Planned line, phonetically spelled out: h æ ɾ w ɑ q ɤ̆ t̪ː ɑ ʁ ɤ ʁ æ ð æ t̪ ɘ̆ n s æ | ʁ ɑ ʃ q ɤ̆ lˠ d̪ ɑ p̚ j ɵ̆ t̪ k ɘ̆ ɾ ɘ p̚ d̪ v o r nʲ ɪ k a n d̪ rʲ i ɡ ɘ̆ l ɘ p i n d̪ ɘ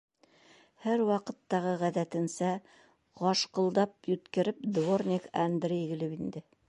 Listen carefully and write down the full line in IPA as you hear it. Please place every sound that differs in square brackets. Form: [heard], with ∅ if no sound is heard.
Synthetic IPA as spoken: h æ ɾ w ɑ q ɤ̆ t̪ː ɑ ʁ ɤ ʁ æ ð æ t̪ ɘ̆ n s æ | ʁ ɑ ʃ q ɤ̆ lˠ d̪ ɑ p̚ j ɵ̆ t̪ k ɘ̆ ɾ ɘ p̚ d̪ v o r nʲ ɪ k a n d̪ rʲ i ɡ ɘ̆ l ɘ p i n d̪ ɘ